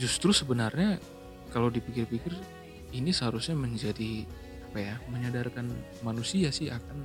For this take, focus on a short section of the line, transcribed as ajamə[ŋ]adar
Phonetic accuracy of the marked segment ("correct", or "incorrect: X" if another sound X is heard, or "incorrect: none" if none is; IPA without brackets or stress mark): incorrect: ɲ